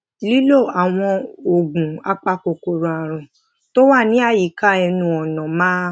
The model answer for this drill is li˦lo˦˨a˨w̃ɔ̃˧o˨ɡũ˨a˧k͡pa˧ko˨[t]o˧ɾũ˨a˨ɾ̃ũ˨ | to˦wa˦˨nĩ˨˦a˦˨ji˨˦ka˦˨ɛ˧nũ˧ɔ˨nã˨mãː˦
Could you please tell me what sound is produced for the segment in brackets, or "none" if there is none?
k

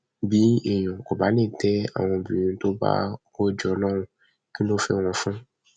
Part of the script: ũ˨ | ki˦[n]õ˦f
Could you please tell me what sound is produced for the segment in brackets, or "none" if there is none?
n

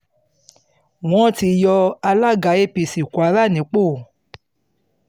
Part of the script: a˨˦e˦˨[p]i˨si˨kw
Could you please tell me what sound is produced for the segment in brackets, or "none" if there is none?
p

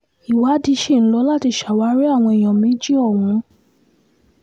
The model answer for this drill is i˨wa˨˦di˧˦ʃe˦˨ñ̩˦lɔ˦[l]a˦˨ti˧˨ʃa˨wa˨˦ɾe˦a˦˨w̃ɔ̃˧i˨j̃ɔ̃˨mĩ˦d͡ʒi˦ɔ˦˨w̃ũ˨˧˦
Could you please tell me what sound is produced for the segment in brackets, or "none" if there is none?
l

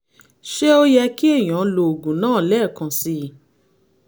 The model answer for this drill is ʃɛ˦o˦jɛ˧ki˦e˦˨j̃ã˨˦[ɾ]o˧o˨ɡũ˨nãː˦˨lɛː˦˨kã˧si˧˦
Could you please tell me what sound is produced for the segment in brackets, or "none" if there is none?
l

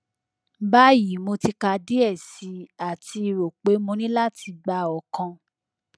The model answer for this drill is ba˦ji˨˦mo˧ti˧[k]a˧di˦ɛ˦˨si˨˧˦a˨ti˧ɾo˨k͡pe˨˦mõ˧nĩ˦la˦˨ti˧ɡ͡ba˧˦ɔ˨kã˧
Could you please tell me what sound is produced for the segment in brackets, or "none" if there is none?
k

